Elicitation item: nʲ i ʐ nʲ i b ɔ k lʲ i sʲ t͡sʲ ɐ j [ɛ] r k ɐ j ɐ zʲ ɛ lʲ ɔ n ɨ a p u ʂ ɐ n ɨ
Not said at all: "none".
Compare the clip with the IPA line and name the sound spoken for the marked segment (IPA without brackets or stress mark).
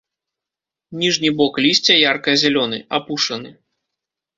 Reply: a